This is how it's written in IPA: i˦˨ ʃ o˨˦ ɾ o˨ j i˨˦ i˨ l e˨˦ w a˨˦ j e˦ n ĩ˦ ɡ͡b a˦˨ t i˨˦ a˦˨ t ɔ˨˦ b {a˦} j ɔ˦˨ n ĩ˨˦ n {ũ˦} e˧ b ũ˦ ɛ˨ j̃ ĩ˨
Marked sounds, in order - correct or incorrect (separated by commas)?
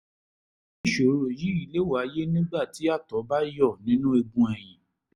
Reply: correct, correct